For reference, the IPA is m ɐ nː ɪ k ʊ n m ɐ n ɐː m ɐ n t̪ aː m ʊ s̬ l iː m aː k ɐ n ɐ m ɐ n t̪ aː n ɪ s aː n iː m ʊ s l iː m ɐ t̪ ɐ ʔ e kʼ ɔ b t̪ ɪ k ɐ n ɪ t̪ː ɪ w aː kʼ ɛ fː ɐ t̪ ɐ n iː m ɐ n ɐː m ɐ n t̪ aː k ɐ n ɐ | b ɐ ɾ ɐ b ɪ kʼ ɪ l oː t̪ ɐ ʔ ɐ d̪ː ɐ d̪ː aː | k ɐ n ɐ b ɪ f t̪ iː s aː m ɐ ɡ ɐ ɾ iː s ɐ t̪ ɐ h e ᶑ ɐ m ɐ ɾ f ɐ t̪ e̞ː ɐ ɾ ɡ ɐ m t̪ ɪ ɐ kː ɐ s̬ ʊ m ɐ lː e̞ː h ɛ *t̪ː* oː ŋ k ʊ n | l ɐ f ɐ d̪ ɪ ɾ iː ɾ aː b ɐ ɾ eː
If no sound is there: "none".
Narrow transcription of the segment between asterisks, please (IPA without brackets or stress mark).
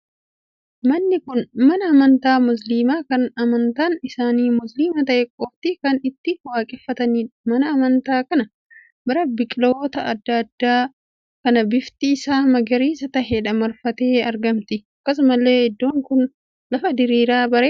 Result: d̪ː